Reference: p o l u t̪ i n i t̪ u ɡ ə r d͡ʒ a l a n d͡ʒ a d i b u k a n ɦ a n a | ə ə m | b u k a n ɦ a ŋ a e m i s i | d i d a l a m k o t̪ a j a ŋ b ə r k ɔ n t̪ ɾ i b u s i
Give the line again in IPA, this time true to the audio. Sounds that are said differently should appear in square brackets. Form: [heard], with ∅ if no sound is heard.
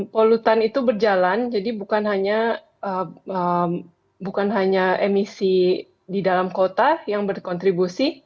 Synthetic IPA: p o l u t̪ [a] n i t̪ u [b] ə r d͡ʒ a l a n d͡ʒ a d i b u k a n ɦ a [ɲ] a | ə ə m | b u k a n ɦ a [ɲ] a e m i s i | d i d a l a m k o t̪ a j a ŋ b ə r k ɔ n t̪ ɾ i b u s i